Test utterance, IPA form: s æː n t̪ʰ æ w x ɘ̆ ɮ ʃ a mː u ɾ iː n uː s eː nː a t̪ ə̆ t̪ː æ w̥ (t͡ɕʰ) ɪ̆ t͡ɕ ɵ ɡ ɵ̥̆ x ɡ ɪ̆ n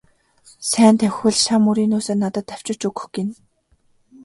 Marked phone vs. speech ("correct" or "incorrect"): incorrect